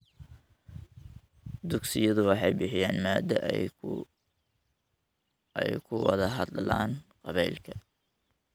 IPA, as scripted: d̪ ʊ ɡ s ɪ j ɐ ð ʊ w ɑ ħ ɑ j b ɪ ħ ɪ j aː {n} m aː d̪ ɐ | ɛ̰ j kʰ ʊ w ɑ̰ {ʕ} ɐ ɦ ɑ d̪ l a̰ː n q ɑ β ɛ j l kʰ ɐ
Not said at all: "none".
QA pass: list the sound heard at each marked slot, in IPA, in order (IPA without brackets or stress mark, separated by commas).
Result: n, ð